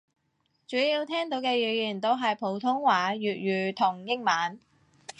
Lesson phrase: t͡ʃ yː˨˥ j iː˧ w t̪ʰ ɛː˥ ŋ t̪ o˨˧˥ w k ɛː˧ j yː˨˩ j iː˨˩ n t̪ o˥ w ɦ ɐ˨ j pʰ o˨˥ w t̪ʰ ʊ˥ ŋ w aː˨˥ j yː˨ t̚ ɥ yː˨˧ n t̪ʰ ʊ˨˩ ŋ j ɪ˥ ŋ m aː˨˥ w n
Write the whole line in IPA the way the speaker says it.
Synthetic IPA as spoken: t͡ʃ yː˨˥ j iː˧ w t̪ʰ ɛː˥ ŋ t̪ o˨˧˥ w k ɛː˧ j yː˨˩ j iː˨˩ n t̪ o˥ w ɦ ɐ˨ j pʰ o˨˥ w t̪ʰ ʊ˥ ŋ w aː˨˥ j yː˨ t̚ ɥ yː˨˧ t̪ʰ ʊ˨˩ ŋ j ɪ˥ ŋ m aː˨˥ n

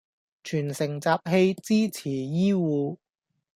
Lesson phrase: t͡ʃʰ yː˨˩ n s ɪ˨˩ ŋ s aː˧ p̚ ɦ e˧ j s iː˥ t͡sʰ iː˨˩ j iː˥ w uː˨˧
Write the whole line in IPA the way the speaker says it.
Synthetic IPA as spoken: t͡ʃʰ yː˨˩ n s ɪ˨˩ ŋ t͡s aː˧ p̚ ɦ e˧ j t͡s iː˥ t͡sʰ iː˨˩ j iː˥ w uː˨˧

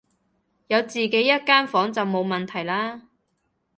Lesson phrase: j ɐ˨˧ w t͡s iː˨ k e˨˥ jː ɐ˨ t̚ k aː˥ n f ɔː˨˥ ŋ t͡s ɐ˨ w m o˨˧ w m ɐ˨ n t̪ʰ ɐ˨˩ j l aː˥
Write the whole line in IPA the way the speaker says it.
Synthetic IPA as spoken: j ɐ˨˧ w t͡s iː˨ k e˨˥ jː ɐ˥ t̚ k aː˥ n f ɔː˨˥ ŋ t͡s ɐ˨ w m o˨˧ w m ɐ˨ n t̪ʰ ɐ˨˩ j l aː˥

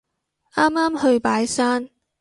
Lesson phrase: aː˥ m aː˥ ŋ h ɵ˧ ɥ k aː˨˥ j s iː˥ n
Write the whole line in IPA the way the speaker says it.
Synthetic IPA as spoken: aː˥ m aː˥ m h ɵ˧ ɥ p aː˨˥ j s aː˥ n

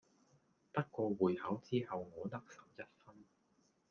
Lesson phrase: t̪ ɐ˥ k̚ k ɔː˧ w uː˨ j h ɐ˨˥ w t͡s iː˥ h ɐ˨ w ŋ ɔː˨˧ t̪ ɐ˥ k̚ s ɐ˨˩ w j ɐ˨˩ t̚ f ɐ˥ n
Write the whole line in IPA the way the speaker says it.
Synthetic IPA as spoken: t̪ ɐ˥ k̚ k ɔː˧ w uː˨ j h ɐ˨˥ w t͡s iː˥ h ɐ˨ w ŋ ɔː˨˧ t̪ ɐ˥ k̚ s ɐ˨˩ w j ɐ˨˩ t̚ f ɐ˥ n

